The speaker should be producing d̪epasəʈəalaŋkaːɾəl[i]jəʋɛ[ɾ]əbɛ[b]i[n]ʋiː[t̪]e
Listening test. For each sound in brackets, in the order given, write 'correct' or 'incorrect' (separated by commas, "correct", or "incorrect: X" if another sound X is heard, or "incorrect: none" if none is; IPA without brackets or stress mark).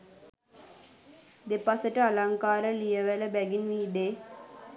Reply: correct, incorrect: l, incorrect: ɡ, correct, incorrect: d̪